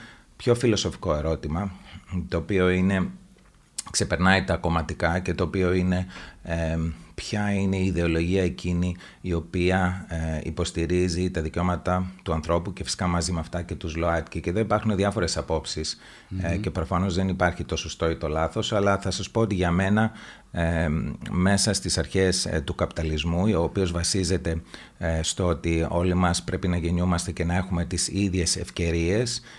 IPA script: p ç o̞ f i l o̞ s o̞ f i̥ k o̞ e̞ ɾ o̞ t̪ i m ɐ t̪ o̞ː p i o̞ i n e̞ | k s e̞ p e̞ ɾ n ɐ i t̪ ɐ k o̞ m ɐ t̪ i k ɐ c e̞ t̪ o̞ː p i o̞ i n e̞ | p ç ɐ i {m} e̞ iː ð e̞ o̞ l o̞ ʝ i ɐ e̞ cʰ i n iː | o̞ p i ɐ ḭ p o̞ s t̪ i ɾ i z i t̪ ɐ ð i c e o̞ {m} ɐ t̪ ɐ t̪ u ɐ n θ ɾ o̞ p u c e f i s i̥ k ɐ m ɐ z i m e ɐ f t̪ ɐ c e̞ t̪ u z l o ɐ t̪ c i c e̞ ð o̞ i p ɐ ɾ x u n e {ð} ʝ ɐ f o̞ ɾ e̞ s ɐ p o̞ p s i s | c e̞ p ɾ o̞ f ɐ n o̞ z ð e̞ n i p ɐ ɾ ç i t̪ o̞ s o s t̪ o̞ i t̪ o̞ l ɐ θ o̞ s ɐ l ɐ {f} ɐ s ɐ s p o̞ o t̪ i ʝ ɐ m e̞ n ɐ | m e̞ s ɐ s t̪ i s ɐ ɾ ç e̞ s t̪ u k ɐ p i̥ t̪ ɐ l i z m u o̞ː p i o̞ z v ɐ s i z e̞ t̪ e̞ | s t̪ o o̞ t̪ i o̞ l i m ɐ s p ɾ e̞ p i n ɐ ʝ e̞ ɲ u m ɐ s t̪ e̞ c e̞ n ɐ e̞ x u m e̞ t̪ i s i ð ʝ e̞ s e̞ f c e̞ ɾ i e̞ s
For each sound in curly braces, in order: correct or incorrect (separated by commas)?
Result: incorrect, correct, correct, incorrect